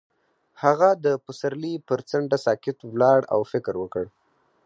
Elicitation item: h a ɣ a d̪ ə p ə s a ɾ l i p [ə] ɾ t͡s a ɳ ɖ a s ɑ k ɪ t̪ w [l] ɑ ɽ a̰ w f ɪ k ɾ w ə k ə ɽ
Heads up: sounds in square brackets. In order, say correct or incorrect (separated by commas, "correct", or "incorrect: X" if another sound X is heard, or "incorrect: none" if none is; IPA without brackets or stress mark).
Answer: correct, correct